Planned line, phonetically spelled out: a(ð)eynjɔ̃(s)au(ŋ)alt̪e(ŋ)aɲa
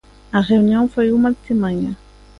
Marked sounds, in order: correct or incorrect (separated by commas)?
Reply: incorrect, incorrect, incorrect, incorrect